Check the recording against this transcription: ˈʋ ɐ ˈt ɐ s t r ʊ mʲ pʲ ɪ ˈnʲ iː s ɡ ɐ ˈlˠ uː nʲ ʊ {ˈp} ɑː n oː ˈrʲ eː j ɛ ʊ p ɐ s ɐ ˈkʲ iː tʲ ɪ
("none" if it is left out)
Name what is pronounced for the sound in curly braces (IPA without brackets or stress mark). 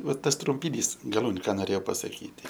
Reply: k